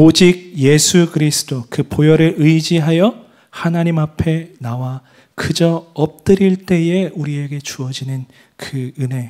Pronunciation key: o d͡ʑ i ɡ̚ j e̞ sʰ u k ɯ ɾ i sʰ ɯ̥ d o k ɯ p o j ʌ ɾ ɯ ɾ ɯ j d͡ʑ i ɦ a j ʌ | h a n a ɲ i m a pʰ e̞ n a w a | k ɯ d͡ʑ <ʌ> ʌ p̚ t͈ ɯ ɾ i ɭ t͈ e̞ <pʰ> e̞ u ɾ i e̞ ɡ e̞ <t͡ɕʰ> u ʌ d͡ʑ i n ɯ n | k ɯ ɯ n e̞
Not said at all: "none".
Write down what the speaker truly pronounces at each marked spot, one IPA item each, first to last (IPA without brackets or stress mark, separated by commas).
ʌ, none, t͡ɕ